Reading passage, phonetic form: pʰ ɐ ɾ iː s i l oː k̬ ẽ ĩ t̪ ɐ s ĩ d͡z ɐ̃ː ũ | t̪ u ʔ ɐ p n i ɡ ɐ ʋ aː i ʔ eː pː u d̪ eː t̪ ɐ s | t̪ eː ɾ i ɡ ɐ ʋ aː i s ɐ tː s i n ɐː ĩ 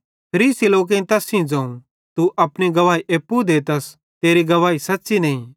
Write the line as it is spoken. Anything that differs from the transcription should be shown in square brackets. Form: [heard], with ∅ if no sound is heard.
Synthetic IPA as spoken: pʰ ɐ ɾ iː s i l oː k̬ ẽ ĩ t̪ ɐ s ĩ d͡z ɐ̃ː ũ | t̪ u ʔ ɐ p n i ɡ ɐ ʋ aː i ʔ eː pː u d̪ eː t̪ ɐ s | t̪ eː ɾ i ɡ ɐ ʋ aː i s ɐ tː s i n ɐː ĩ